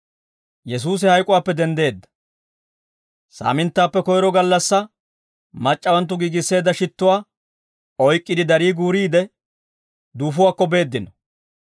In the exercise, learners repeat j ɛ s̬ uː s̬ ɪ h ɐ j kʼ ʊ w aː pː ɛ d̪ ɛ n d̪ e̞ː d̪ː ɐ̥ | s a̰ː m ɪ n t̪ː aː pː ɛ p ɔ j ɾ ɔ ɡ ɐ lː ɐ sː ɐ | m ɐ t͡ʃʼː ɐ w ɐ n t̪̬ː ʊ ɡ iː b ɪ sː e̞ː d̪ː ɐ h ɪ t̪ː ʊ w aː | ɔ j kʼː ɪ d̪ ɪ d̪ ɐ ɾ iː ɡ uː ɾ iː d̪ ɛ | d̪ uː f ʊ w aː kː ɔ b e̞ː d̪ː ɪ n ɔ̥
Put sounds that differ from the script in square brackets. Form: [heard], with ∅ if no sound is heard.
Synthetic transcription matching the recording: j ɛ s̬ uː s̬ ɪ h ɐ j kʼ ʊ w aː pː ɛ d̪ ɛ n d̪ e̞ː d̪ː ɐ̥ | s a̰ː m ɪ n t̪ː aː pː ɛ [k] ɔ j ɾ ɔ ɡ ɐ lː ɐ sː ɐ | m ɐ t͡ʃʼː ɐ w ɐ n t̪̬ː ʊ ɡ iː [ɡ] ɪ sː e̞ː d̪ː ɐ [ʃ] ɪ t̪ː ʊ w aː | ɔ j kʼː ɪ d̪ ɪ d̪ ɐ ɾ iː ɡ uː ɾ iː d̪ ɛ | d̪ uː f ʊ w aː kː ɔ b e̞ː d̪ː ɪ n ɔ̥